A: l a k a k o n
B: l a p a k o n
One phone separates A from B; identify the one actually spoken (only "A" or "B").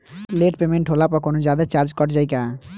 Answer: B